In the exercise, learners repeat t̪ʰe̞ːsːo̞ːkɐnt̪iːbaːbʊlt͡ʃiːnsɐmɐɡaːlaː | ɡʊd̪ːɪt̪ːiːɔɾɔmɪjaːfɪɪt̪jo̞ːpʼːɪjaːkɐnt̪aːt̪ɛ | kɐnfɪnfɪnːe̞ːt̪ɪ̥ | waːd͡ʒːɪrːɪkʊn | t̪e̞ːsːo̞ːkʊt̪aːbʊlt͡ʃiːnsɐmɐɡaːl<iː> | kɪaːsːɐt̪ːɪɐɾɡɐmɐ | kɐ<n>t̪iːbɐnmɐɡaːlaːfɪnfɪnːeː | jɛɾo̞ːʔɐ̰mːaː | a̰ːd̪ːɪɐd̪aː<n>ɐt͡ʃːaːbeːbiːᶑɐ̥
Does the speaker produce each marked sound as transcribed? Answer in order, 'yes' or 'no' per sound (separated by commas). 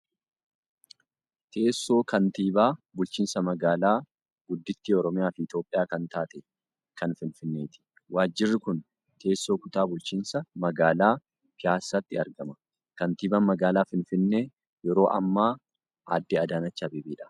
no, yes, yes